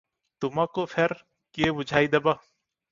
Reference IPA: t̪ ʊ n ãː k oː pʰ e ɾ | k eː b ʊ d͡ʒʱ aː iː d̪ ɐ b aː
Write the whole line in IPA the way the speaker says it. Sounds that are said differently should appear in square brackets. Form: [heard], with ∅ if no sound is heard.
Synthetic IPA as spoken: t̪ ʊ [m] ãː k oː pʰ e ɾ | k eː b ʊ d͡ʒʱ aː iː d̪ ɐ b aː